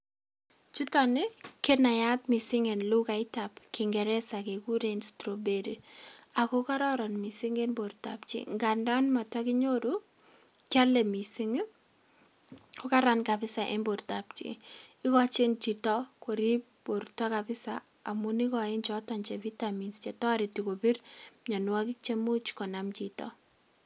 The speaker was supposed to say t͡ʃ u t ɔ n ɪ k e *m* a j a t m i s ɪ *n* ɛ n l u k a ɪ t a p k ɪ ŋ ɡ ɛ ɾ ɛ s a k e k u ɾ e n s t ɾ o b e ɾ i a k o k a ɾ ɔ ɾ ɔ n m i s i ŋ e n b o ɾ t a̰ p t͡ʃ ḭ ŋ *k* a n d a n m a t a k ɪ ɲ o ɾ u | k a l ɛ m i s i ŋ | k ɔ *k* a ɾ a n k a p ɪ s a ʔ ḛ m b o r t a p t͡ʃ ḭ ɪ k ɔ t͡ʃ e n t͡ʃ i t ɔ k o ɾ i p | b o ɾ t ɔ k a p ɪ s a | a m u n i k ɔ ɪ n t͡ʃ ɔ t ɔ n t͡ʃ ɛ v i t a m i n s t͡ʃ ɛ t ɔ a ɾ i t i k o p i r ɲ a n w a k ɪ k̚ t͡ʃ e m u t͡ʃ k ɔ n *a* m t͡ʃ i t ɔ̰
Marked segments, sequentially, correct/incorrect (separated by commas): incorrect, incorrect, incorrect, correct, correct